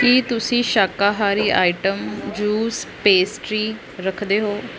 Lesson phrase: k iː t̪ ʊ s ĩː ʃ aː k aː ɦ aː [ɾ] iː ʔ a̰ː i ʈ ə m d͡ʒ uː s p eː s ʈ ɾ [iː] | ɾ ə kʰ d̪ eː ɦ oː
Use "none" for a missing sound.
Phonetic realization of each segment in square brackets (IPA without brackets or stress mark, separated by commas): ɾ, iː